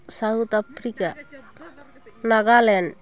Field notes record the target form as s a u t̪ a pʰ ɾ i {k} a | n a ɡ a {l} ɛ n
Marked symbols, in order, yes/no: yes, yes

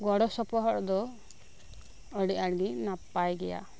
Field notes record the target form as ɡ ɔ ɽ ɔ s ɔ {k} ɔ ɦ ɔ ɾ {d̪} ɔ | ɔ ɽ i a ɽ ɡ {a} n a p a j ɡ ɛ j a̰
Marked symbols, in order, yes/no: no, yes, no

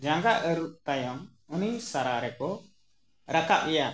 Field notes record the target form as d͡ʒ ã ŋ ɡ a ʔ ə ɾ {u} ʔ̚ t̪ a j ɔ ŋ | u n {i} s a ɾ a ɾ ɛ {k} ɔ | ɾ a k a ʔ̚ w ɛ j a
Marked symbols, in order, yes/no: yes, yes, yes

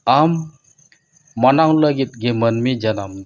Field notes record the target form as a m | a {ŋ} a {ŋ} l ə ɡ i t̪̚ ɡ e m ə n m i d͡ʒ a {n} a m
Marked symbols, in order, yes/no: no, yes, yes

